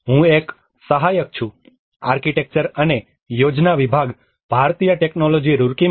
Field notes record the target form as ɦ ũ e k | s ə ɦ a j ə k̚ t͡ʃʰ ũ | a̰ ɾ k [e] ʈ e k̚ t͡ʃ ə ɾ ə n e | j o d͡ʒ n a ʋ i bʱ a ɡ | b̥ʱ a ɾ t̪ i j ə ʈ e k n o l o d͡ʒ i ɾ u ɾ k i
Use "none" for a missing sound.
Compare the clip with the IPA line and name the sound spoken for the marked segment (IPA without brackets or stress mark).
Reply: i